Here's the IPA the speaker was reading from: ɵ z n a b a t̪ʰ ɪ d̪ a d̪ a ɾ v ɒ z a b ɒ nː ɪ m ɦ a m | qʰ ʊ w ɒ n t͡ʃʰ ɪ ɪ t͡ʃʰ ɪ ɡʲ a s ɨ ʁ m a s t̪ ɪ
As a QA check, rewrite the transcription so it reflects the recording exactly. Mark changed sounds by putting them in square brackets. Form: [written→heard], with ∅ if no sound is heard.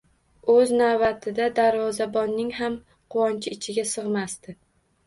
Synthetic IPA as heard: ɵ z n a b a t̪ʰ ɪ d̪ a d̪ a ɾ v ɒ z a b ɒ nː ɪ [m→ŋ] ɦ a m | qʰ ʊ w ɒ n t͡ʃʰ ɪ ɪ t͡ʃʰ ɪ ɡʲ a s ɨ ʁ m a s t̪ ɪ

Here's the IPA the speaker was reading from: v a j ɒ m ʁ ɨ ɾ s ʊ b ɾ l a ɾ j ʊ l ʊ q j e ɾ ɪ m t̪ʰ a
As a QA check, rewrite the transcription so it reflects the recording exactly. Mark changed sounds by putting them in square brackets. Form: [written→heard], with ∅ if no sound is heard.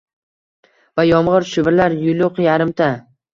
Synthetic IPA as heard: v a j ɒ m ʁ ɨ ɾ [s→ʃ] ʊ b ɾ l a ɾ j ʊ l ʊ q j [e→a] ɾ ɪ m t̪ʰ a

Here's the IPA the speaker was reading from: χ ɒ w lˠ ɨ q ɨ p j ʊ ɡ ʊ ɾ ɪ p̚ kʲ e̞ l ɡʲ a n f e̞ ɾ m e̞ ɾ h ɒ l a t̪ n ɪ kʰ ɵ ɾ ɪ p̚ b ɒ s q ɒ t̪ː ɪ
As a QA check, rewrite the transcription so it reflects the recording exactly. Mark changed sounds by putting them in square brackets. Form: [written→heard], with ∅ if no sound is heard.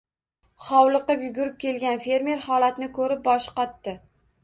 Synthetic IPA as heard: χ ɒ w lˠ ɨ q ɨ p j ʊ ɡ ʊ ɾ ɪ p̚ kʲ e̞ l ɡʲ a n f e̞ ɾ m e̞ ɾ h ɒ l a t̪ n ɪ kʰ ɵ ɾ ɪ p̚ b ɒ [s→ʃ] q ɒ t̪ː ɪ

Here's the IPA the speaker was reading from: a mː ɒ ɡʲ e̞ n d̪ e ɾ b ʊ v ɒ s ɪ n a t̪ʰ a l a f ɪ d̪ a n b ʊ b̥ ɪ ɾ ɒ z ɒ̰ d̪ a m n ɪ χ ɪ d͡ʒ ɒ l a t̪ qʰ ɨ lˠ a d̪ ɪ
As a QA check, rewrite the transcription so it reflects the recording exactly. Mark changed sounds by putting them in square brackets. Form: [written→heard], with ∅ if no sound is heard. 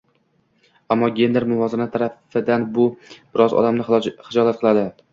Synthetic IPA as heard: a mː ɒ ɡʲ e̞ n d̪ e ɾ [b→m] ʊ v ɒ [s→z] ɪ n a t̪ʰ a [l→ɾ] a f ɪ d̪ a n b ʊ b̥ ɪ ɾ ɒ z ɒ̰ d̪ a m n ɪ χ ɪ d͡ʒ ɒ l a t̪ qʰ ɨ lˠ a d̪ ɪ

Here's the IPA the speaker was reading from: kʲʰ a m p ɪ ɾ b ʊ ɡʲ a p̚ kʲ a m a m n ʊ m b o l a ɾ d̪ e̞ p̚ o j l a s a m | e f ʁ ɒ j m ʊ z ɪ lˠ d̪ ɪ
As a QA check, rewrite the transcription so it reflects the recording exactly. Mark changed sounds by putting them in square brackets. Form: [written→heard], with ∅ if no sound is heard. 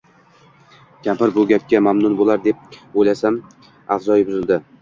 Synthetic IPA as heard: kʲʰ a m p ɪ ɾ b ʊ ɡʲ a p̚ kʲ a m a m n ʊ [m→n] b o l a ɾ d̪ e̞ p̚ o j l a s a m | [e→a] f [ʁ→z] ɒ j [m→b] ʊ z ɪ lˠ d̪ ɪ

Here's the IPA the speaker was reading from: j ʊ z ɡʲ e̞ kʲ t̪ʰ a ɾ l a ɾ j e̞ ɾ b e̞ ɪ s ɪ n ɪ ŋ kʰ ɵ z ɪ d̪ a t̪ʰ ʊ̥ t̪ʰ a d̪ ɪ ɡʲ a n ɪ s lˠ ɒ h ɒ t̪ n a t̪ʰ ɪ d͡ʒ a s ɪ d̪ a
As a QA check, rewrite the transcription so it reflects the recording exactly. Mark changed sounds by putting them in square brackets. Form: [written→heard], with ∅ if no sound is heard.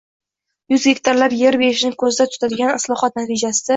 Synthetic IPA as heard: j ʊ z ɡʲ e̞ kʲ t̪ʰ a ɾ l a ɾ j e̞ ɾ b e̞ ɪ [s→ʃ] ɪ n ɪ ŋ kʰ ɵ z ɪ d̪ a t̪ʰ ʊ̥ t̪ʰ a d̪ ɪ ɡʲ a n ɪ s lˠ ɒ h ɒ t̪ n a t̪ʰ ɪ d͡ʒ a s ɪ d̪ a

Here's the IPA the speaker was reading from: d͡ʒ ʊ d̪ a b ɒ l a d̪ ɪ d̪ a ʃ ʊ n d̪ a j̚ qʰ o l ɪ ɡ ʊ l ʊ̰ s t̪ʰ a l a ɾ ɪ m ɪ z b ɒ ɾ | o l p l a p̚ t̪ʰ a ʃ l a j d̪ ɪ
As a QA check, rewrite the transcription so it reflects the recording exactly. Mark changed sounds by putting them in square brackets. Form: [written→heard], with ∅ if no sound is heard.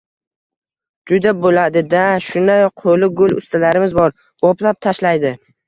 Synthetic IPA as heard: d͡ʒ ʊ d̪ a b [ɒ→o] l a d̪ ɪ d̪ a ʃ ʊ n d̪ a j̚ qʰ o l ɪ ɡ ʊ l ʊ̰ s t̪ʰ a l a ɾ ɪ m ɪ z b ɒ ɾ | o [l→∅] p l a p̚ t̪ʰ a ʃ l a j d̪ ɪ

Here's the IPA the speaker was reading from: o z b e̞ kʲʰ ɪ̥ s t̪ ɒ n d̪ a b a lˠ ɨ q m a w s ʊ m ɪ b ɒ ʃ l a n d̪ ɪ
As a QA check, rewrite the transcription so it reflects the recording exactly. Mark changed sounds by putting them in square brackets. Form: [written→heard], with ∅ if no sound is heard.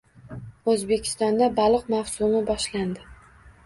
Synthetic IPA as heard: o z b e̞ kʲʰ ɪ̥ s t̪ ɒ n d̪ a b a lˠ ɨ q m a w s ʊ m ɪ b ɒ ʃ l a n d̪ ɪ

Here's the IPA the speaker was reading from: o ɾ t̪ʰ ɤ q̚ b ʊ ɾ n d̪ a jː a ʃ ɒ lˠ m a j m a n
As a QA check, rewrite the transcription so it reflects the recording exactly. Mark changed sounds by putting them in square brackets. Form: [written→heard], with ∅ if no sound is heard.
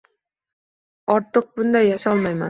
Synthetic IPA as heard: [o→ɒ] ɾ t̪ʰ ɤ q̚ b ʊ [ɾ→∅] n d̪ a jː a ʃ ɒ lˠ m a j m a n

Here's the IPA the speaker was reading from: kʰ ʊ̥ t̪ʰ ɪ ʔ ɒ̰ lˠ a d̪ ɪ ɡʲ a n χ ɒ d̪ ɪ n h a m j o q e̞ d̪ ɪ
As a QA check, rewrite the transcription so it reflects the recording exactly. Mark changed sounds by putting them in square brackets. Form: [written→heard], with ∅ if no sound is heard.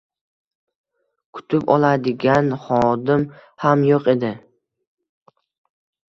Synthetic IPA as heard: kʰ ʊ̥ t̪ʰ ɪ [ʔ→p] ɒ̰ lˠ a d̪ ɪ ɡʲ a n χ ɒ d̪ ɪ [n→m] h a m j o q e̞ d̪ ɪ

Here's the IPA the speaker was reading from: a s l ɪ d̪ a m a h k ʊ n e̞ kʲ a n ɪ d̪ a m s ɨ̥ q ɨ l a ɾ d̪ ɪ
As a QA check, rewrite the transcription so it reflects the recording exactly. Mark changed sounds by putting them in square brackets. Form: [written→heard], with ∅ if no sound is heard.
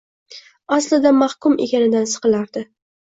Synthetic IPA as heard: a s l ɪ d̪ a m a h k ʊ [n→m] e̞ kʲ a n ɪ d̪ a [m→n] s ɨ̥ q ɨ l a ɾ d̪ ɪ

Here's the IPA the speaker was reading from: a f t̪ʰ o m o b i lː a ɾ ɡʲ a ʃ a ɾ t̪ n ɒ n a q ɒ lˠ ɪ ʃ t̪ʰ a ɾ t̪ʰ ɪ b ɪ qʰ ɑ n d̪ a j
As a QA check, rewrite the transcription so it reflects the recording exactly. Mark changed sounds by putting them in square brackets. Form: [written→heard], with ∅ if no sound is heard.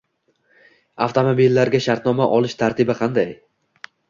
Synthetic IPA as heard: a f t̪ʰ o m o b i lː a ɾ ɡʲ a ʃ a ɾ t̪ n ɒ [n→m] a [q→ʔ] ɒ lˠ ɪ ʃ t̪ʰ a ɾ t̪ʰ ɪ b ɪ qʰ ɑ n d̪ a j

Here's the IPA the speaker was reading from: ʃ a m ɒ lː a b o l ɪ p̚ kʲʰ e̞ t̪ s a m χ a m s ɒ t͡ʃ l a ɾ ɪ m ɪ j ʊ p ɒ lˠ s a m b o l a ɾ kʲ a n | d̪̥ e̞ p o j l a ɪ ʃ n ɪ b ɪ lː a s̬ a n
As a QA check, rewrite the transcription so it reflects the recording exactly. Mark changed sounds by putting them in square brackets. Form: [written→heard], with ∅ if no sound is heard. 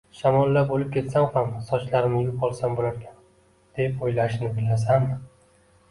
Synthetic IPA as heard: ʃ a m ɒ lː a b o l ɪ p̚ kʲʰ e̞ t̪ s a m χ a m s ɒ t͡ʃ l a ɾ ɪ m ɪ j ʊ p ɒ lˠ s a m b o l a ɾ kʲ a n | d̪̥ e̞ p o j l a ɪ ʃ n ɪ b ɪ lː a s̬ a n

